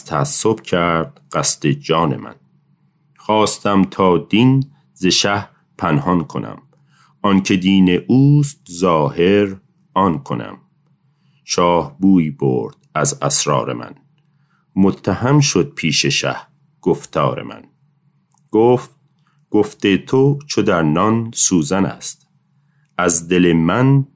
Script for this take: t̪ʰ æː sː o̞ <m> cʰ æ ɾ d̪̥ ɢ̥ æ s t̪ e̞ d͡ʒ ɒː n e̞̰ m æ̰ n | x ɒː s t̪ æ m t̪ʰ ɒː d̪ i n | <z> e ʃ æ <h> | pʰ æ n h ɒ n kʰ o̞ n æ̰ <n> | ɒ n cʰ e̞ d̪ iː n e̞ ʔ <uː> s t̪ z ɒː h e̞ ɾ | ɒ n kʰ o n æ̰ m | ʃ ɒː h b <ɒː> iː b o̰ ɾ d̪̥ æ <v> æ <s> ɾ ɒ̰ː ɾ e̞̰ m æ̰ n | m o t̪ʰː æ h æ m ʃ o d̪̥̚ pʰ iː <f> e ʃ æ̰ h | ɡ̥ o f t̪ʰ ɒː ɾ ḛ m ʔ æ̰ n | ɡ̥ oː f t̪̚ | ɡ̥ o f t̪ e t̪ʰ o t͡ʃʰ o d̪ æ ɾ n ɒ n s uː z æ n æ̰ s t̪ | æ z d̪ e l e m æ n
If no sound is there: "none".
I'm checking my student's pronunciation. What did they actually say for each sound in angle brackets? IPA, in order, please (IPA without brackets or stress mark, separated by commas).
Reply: b, z, h, m, uː, uː, z, s, ʃ